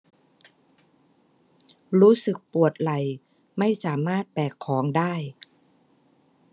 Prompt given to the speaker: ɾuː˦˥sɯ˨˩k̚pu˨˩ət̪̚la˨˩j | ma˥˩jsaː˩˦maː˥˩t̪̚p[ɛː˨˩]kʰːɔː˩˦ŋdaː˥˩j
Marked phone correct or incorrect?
correct